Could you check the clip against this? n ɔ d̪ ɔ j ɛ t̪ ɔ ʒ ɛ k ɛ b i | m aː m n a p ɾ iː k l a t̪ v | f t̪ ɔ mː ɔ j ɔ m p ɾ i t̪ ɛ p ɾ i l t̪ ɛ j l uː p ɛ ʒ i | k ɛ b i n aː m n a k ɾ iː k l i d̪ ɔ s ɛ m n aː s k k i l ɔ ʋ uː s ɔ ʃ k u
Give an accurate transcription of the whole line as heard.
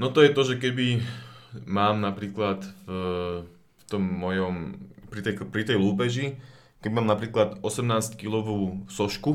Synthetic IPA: n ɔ t̪ ɔ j ɛ t̪ ɔ ʒ ɛ k ɛ b i | m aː m n a p ɾ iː k l a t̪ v | f t̪ ɔ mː ɔ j ɔ m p ɾ i t̪ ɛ p ɾ i t̪ ɛ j l uː p ɛ ʒ i | k ɛ b i m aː m n a p ɾ iː k l a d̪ ɔ s ɛ m n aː s c k i l ɔ ʋ uː s ɔ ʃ k u